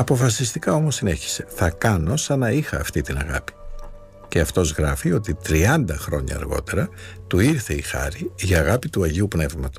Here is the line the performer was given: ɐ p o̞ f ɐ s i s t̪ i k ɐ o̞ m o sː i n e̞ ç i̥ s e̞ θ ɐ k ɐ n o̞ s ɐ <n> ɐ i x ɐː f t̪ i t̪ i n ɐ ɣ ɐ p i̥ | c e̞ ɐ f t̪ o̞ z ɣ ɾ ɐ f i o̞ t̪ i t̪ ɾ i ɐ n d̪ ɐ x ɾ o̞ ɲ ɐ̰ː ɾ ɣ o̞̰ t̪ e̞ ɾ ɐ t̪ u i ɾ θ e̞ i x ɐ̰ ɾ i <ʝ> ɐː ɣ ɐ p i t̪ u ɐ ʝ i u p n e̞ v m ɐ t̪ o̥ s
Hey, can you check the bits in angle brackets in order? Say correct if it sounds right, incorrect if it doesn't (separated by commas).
correct, correct